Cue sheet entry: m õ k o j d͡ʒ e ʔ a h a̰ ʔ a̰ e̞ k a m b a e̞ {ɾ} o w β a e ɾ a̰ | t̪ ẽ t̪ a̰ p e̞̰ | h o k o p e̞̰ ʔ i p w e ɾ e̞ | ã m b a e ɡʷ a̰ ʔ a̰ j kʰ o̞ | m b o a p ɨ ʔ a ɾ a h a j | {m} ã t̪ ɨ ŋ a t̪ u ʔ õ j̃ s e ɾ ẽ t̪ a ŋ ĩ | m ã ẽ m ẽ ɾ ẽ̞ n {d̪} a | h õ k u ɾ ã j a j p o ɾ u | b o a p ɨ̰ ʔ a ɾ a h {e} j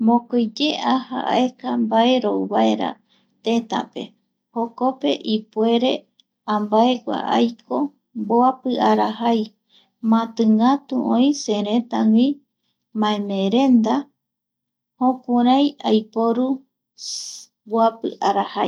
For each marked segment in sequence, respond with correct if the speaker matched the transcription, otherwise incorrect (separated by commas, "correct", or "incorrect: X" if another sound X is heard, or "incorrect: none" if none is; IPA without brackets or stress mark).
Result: correct, correct, correct, incorrect: a